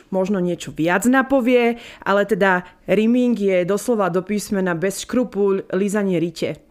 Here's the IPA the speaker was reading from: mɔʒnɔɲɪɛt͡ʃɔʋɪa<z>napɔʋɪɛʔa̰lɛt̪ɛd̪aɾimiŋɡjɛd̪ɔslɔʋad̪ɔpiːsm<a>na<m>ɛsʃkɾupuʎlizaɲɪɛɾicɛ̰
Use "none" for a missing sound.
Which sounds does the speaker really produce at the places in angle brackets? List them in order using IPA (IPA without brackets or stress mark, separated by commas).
d͡z, ɛ, b